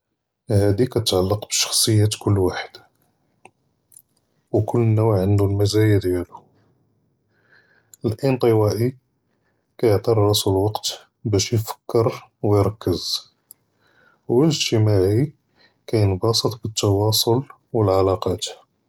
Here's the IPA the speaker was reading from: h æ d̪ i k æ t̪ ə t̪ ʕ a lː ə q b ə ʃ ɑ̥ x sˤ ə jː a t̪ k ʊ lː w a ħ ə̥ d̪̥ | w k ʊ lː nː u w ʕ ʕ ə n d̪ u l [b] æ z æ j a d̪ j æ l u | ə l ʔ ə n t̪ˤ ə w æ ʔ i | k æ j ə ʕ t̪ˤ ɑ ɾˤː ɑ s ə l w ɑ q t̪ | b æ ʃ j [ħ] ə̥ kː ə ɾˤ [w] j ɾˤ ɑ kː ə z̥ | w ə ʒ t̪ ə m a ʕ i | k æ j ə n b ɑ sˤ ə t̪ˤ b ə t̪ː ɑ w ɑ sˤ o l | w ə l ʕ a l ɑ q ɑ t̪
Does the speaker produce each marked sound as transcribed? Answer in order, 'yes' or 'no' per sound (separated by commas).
no, no, yes